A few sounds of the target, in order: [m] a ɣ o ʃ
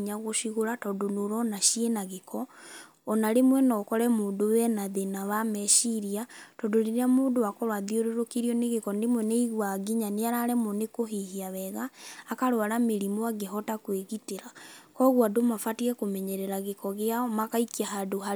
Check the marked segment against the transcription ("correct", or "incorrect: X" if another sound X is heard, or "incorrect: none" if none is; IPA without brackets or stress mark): incorrect: ɲ